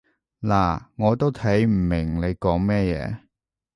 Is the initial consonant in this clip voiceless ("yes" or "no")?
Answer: no